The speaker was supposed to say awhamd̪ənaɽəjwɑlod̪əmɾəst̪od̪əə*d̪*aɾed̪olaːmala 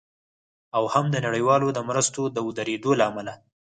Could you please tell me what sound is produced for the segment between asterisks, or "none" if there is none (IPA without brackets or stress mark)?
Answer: d̪